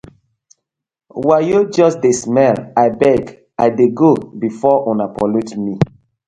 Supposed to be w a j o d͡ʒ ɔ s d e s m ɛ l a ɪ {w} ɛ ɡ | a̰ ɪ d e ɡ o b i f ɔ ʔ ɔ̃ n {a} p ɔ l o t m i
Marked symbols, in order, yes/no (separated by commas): no, yes